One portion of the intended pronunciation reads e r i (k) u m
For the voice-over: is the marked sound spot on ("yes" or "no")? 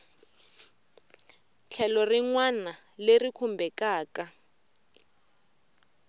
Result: no